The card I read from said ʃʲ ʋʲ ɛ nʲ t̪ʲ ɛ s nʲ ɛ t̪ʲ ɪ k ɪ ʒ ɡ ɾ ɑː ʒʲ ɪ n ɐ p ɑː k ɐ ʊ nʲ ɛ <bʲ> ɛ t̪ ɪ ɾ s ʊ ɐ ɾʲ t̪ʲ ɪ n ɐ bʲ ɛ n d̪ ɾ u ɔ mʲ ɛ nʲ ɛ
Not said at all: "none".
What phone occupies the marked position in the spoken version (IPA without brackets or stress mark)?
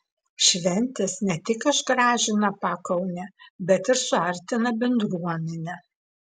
bʲ